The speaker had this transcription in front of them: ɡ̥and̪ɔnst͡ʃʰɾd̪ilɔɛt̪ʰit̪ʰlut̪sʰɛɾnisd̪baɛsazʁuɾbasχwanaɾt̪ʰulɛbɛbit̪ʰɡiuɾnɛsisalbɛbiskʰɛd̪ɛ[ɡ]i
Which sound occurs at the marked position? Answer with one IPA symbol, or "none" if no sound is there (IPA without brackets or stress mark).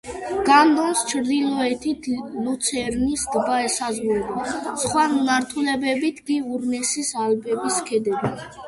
b